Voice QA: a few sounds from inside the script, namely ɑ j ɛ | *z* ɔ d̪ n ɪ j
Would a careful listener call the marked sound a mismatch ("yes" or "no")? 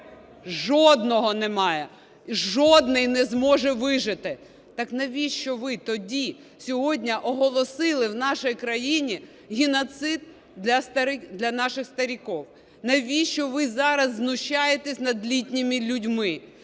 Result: yes